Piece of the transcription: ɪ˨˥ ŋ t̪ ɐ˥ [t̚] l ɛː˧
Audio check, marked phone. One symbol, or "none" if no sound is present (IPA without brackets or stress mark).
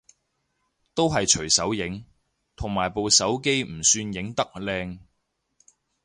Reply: k̚